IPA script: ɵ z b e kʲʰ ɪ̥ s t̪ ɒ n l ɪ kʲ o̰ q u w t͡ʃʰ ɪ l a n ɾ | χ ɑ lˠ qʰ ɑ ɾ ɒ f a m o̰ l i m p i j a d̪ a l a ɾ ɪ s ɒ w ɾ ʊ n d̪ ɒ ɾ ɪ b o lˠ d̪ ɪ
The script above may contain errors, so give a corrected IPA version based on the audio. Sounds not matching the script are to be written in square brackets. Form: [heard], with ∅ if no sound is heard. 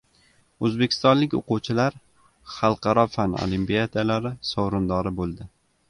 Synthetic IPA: ɵ z b e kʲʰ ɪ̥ s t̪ ɒ n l ɪ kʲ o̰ q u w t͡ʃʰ ɪ l a [∅] ɾ | χ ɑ lˠ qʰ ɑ ɾ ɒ f a [n] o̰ l i m p i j a d̪ a l a ɾ ɪ s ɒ w ɾ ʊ n d̪ ɒ ɾ ɪ b o lˠ d̪ ɪ